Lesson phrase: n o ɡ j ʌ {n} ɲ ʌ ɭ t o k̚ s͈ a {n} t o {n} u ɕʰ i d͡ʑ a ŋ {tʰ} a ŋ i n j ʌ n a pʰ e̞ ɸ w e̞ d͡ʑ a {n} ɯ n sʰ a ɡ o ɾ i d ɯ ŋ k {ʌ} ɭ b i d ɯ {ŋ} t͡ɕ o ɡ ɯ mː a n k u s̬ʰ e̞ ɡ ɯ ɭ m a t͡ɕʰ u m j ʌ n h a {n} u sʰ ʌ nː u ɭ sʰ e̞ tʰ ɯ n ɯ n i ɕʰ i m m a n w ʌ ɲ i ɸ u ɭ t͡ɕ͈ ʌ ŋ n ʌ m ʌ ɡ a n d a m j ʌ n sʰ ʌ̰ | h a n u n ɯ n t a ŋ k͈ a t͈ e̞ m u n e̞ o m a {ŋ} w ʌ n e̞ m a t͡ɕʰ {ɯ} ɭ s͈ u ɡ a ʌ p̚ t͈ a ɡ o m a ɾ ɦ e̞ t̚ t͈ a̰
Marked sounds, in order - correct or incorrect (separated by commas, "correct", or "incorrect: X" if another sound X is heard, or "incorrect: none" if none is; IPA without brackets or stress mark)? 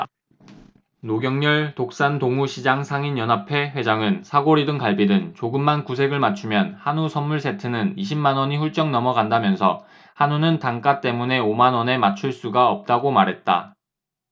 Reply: incorrect: ŋ, correct, incorrect: ŋ, incorrect: sʰ, incorrect: ŋ, incorrect: a, incorrect: n, correct, incorrect: n, incorrect: u